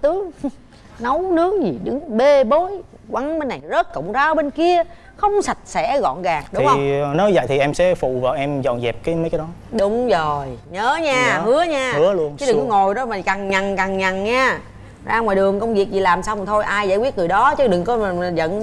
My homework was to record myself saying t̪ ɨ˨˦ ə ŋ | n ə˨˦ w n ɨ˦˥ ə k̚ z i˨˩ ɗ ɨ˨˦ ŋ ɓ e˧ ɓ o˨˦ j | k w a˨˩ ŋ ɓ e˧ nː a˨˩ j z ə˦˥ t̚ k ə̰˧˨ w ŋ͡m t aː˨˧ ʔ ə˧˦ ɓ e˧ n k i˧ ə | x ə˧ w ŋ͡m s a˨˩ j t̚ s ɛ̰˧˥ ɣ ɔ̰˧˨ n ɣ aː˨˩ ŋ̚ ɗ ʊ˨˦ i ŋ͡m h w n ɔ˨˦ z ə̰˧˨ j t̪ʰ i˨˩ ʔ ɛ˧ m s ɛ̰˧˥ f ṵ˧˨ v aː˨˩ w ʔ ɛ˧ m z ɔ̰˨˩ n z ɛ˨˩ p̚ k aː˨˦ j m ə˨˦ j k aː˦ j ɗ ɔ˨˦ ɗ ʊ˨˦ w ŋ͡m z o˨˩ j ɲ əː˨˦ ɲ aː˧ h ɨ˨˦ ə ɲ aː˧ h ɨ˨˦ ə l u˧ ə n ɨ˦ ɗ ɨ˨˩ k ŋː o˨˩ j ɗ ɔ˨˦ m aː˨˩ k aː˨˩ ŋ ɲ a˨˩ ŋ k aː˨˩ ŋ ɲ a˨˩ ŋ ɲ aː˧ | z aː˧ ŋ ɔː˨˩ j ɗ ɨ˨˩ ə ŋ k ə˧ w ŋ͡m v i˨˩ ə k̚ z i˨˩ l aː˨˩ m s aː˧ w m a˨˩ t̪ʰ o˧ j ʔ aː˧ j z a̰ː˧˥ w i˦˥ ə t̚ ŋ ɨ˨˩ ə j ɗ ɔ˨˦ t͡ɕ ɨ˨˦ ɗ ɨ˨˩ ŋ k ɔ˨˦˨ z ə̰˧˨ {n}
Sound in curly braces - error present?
no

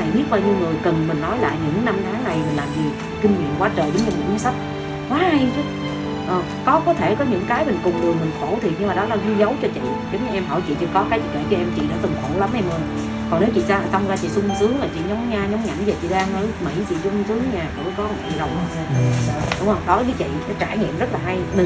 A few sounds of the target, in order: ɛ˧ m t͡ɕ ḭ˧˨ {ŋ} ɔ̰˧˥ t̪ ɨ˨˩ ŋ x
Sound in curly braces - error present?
yes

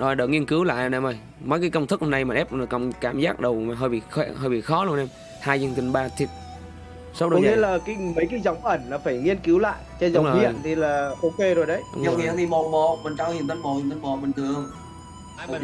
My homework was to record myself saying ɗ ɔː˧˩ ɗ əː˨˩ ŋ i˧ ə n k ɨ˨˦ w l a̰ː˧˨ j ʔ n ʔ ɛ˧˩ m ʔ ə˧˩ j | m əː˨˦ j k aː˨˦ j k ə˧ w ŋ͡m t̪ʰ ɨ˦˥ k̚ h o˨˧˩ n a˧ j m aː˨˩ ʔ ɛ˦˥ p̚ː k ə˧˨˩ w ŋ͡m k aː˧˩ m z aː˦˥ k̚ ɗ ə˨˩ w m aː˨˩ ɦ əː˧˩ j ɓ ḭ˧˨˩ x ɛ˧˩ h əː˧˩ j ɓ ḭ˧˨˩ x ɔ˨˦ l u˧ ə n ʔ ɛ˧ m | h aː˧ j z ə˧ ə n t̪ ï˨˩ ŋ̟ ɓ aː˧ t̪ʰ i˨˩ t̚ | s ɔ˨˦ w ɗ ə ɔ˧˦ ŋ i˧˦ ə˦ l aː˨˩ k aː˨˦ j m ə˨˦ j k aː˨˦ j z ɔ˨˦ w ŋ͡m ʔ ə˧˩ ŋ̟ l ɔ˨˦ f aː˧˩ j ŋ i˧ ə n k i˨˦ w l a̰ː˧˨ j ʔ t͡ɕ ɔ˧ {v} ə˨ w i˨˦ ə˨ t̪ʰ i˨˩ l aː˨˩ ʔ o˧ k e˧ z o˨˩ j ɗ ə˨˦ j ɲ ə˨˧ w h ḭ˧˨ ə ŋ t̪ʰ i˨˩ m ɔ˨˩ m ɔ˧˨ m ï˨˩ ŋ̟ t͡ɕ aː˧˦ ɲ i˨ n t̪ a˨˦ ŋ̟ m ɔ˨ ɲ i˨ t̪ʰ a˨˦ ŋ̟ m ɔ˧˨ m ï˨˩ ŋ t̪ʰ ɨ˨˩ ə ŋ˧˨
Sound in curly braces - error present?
yes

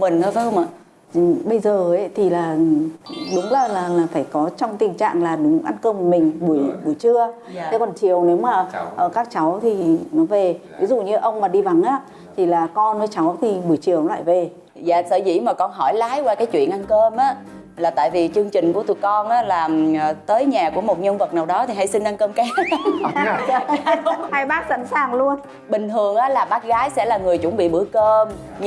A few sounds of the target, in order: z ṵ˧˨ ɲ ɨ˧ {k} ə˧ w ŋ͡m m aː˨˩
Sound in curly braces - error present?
yes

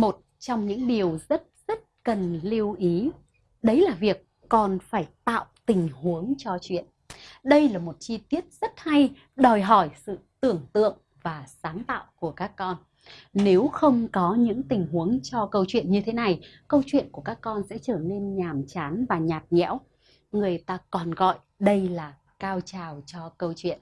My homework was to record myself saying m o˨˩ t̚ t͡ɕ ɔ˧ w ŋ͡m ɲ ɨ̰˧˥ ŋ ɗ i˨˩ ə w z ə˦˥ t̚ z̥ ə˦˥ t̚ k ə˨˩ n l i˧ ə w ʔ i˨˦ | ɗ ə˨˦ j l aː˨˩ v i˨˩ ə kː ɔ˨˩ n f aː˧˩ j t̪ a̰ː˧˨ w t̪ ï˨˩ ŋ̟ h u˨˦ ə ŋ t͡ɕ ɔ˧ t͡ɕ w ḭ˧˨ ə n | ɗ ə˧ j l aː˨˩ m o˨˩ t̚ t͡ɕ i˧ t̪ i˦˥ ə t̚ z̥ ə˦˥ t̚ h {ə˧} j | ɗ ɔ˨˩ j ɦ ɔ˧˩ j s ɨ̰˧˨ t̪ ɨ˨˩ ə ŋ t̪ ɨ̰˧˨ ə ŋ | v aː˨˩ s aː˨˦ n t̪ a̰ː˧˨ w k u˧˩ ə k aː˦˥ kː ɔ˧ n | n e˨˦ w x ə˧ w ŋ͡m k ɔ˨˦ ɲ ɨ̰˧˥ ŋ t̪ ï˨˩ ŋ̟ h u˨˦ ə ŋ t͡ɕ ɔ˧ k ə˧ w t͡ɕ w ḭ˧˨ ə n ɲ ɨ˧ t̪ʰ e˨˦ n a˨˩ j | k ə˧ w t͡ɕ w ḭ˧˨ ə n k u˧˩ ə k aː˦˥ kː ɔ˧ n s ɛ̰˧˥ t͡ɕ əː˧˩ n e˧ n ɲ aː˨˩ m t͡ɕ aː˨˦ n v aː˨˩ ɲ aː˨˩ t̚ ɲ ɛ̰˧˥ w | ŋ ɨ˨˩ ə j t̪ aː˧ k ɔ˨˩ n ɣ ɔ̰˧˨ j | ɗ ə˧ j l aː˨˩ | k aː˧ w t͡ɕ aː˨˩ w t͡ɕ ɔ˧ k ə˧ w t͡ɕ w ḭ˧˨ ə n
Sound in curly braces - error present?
yes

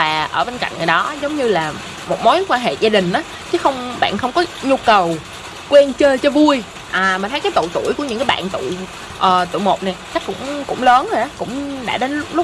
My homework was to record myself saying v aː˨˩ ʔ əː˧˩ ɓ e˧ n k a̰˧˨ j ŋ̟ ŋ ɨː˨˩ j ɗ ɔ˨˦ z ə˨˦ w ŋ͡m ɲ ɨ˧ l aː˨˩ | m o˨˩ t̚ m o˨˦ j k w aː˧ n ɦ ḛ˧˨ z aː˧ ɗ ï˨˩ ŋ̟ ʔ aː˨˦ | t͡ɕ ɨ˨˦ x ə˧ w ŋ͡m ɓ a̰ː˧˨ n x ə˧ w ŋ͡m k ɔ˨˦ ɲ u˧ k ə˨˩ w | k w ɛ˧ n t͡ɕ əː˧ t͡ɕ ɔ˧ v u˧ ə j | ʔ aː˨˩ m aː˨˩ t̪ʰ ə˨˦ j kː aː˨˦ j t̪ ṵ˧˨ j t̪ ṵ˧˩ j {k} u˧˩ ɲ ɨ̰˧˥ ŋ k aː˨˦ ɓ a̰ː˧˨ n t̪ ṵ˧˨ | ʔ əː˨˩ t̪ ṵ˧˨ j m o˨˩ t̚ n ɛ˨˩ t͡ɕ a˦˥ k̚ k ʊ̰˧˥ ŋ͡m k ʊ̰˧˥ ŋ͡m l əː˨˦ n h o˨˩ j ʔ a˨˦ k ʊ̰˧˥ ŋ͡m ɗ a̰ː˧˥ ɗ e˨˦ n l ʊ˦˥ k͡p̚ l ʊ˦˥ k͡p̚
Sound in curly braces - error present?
no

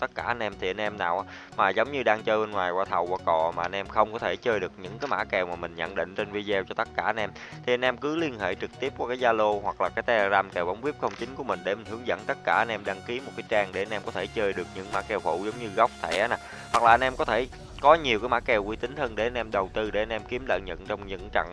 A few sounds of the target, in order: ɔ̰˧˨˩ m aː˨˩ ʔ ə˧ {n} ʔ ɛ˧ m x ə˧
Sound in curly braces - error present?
no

